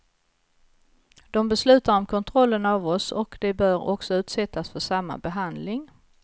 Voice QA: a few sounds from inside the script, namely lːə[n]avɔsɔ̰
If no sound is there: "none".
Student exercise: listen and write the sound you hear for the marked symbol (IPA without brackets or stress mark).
n